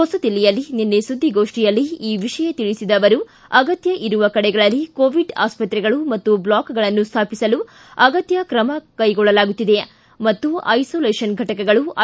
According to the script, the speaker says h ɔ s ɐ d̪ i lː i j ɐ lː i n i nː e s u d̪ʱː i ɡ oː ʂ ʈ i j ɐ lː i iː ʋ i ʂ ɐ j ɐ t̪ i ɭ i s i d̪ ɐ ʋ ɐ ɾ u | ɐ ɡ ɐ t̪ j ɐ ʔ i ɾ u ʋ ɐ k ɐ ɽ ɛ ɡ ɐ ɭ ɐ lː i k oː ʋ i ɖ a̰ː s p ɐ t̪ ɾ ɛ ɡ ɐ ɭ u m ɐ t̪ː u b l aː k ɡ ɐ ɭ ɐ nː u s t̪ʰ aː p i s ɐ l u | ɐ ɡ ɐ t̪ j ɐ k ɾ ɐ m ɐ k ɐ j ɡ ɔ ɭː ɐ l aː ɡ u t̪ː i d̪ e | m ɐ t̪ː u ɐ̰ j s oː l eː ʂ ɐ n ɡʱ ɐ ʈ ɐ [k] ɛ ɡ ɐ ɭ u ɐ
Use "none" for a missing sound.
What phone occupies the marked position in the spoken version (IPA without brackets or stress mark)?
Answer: k